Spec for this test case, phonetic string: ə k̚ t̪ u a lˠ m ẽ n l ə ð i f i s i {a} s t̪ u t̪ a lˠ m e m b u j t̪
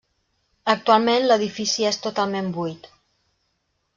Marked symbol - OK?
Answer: no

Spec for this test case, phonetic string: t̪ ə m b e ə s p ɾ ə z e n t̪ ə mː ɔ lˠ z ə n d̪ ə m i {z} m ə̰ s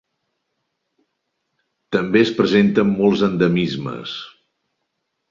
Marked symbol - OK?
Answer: yes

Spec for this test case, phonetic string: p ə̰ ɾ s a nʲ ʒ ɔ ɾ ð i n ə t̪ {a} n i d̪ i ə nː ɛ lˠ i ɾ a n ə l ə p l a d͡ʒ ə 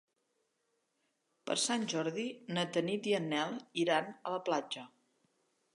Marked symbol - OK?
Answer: no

